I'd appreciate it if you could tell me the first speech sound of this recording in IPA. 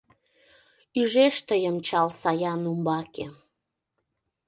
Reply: y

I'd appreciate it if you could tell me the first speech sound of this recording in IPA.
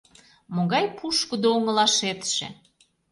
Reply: m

